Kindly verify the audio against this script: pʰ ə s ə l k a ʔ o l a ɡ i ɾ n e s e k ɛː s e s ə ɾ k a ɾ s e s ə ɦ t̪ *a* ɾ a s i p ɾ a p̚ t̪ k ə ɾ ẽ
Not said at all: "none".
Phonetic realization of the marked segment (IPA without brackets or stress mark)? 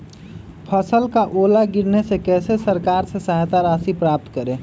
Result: a